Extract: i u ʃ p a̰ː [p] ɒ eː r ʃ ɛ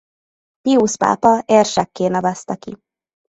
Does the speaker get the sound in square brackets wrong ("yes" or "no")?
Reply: no